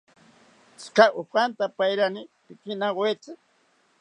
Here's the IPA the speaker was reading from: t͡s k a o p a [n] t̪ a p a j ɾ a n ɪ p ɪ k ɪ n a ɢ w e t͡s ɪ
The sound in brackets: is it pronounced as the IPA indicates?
yes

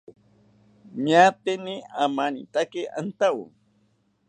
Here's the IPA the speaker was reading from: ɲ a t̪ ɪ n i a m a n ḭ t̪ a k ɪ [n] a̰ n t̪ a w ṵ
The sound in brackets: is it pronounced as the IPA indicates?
no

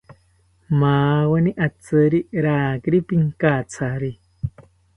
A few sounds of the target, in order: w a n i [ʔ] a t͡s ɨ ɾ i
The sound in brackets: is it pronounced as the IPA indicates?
yes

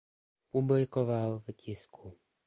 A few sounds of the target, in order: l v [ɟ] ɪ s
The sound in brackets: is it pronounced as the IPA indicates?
no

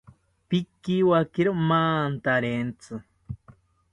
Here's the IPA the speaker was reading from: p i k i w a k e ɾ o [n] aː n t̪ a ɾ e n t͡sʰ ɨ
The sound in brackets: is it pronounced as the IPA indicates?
no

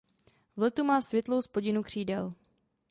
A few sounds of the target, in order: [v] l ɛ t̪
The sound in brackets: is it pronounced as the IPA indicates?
yes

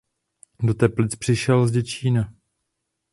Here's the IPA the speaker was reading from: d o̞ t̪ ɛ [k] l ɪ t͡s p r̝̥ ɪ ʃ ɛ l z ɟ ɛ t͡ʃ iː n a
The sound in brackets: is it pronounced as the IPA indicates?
no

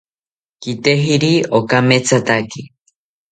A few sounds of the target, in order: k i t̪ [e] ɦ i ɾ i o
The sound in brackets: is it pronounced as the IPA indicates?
yes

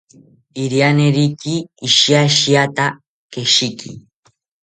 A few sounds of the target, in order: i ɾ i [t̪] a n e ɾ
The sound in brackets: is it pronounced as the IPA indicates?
no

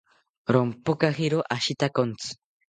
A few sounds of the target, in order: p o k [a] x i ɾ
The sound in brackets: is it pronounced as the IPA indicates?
yes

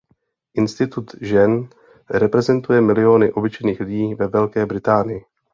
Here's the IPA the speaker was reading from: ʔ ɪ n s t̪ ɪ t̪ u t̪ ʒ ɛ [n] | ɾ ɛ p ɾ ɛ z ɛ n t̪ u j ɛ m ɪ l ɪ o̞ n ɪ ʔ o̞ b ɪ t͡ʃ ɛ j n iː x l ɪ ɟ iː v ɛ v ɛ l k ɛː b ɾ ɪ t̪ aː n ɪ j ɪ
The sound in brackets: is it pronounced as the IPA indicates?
yes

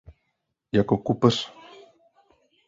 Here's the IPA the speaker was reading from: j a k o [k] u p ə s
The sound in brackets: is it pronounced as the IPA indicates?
yes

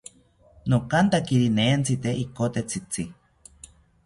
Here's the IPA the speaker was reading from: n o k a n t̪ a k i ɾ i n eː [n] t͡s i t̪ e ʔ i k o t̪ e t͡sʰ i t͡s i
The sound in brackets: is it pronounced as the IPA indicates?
yes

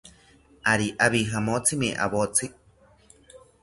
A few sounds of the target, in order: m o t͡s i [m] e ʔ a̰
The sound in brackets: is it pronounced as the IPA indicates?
yes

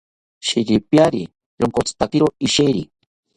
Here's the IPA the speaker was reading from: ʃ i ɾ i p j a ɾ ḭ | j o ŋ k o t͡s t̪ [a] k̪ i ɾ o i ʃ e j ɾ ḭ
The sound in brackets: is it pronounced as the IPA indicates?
yes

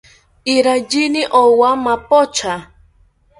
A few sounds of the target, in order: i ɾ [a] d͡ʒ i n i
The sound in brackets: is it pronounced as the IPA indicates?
yes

